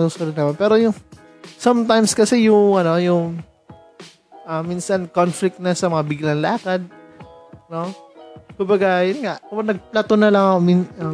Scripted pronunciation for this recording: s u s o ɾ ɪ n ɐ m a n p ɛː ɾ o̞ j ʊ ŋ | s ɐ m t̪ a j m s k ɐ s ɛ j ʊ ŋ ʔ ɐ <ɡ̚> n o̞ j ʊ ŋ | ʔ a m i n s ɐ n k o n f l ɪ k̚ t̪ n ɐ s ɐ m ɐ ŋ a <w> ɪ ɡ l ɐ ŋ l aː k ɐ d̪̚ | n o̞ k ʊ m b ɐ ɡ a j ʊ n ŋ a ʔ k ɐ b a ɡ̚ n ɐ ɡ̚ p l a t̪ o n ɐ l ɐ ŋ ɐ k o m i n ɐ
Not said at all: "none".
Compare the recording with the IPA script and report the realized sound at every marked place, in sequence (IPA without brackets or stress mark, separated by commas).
none, b